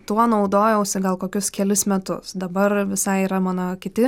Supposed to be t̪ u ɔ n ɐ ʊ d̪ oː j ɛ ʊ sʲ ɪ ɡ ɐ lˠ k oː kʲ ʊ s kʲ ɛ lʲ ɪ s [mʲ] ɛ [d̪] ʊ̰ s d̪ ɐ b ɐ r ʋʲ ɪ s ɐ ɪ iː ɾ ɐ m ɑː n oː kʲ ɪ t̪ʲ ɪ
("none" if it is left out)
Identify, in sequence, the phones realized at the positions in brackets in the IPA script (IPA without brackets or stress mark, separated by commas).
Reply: mʲ, t̪